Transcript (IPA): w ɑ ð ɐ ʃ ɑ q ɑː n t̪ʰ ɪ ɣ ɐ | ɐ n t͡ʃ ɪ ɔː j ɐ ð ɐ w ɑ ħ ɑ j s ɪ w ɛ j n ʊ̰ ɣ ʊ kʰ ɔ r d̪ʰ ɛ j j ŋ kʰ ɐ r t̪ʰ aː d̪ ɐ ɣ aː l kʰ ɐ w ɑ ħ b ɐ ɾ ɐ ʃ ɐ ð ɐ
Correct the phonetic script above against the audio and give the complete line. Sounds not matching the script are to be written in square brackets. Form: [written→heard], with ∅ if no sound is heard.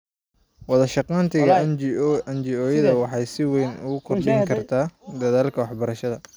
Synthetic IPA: w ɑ ð ɐ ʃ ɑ q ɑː n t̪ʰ ɪ ɣ ɐ | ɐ n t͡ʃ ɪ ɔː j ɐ ð ɐ w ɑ ħ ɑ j s ɪ w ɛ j n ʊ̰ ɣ ʊ kʰ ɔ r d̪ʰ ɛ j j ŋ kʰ ɐ r t̪ʰ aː d̪ ɐ [ɣ→ð] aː l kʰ ɐ w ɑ ħ b ɐ ɾ ɐ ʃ ɐ ð ɐ